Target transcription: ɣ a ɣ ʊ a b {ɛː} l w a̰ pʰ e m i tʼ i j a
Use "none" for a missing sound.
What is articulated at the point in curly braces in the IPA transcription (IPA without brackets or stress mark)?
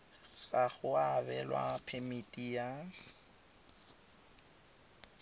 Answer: ɛ